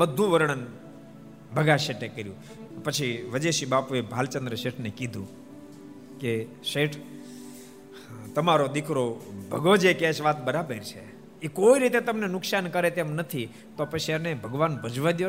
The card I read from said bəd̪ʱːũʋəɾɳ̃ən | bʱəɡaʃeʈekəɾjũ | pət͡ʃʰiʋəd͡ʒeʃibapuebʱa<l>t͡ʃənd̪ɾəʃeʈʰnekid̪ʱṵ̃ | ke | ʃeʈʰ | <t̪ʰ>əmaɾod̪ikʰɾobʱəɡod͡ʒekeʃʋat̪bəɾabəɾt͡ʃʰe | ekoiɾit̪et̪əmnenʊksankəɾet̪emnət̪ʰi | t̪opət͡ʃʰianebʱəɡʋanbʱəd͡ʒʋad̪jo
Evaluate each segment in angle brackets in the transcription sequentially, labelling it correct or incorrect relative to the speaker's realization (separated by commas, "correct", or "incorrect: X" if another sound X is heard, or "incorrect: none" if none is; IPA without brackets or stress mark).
correct, incorrect: t̪